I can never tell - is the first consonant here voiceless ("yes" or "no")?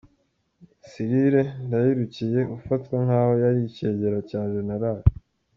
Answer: yes